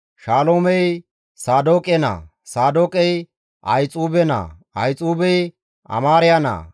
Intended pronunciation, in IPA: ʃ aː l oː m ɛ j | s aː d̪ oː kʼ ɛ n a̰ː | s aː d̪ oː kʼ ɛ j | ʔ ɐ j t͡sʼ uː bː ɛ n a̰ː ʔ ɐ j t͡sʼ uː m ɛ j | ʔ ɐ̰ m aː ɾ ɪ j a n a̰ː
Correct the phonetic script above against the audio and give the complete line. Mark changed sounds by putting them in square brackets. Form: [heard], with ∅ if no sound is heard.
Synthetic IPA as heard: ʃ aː l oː m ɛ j | s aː d̪ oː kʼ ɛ n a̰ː | s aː d̪ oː kʼ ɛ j | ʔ ɐ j t͡sʼ uː [b] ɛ n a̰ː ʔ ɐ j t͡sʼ uː [b] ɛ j | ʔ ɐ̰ m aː ɾ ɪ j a n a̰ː